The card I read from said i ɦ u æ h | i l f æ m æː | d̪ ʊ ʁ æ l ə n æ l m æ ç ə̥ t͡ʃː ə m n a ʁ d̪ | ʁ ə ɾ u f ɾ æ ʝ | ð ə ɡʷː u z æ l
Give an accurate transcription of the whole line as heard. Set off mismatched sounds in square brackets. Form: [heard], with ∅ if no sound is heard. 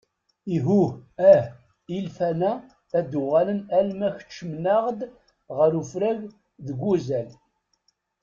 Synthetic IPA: i ɦ u æ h | i l f æ [n] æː | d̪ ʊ ʁ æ l ə n æ l m æ ç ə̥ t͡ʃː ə m n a ʁ d̪ | ʁ ə ɾ u f ɾ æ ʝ | ð ə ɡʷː u z æ l